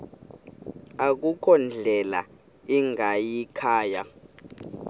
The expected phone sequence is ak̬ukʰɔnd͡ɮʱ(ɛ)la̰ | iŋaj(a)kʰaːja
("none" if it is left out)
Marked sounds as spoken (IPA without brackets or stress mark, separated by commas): ɛ, i